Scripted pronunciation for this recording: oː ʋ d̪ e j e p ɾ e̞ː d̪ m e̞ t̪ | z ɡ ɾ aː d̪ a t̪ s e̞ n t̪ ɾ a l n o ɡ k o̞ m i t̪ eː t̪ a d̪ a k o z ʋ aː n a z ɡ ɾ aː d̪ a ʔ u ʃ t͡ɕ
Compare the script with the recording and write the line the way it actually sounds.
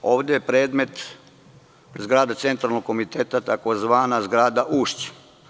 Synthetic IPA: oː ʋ d̪ e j e p ɾ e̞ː d̪ m e̞ t̪ | z ɡ ɾ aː d̪ a t̪ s e̞ n t̪ ɾ a l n o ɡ k o̞ m i t̪ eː t̪ a t̪ a k o z ʋ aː n a z ɡ ɾ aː d̪ a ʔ u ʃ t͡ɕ

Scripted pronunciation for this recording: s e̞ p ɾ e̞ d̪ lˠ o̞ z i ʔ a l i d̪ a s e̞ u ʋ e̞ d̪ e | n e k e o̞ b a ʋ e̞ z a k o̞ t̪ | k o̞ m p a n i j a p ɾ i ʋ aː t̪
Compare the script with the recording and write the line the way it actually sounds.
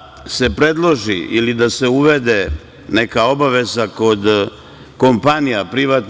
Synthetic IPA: s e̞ p ɾ e̞ d̪ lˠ o̞ ʒ i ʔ i l i d̪ a s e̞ u ʋ e̞ d̪ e | n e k a o̞ b a ʋ e̞ z a k o̞ d̪ | k o̞ m p a n i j a p ɾ i ʋ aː t̪

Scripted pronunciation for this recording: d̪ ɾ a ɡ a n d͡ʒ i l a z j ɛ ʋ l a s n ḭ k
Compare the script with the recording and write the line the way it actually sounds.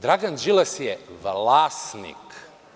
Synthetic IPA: d̪ ɾ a ɡ a n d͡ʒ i l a s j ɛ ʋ l a s n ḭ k

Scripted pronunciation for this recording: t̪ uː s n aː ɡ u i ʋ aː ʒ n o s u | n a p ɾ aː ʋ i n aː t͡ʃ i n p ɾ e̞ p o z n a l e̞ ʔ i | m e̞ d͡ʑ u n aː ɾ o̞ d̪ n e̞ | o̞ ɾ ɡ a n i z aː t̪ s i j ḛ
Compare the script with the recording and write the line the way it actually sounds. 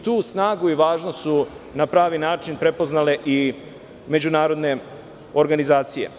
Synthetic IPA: t̪ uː s n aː ɡ u i ʋ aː ʒ n o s u | n a p ɾ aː ʋ i n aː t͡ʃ i n p ɾ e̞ p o z n a l e̞ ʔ i | m e̞ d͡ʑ u n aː ɾ o̞ d̪ n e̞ | o̞ ɾ ɡ a n i z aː t̪ s i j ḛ

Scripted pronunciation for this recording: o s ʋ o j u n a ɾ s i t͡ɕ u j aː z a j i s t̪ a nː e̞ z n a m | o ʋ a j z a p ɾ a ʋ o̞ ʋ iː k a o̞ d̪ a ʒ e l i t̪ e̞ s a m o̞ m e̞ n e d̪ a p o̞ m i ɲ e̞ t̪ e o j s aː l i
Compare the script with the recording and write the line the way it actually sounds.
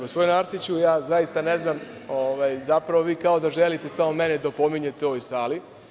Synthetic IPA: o s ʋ o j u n a ɾ s i t͡ɕ u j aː z a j i s t̪ a n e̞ z n a m | o ʋ a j z a p ɾ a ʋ o̞ ʋ iː k a o̞ d̪ a ʒ e l i t̪ e̞ s a m o̞ m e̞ n e d̪ a p o̞ m i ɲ e̞ t̪ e o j s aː l i

